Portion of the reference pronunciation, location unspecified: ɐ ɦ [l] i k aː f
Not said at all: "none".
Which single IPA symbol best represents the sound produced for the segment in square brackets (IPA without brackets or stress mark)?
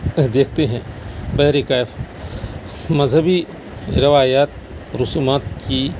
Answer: ɾ